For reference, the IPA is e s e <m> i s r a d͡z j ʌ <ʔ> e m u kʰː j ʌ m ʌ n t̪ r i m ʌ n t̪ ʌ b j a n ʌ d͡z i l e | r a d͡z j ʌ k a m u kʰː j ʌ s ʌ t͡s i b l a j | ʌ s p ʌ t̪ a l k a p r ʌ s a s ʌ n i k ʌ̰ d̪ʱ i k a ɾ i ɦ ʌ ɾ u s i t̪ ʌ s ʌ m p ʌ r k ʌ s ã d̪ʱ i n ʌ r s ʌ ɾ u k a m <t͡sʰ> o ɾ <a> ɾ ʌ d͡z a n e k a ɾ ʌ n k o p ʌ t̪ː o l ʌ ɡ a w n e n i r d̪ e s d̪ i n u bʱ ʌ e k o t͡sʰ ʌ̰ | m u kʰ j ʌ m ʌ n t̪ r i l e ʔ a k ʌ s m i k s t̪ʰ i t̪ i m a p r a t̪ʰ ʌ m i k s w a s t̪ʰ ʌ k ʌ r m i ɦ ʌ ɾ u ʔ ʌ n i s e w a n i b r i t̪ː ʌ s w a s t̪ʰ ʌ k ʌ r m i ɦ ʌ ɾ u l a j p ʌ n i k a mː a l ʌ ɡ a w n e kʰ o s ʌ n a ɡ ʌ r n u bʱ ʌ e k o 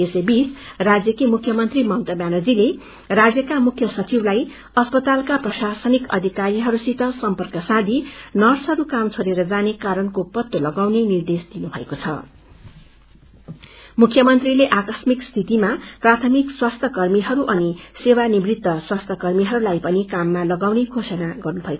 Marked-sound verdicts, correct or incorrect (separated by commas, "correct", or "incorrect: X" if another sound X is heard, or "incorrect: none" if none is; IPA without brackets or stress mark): incorrect: b, incorrect: k, correct, incorrect: e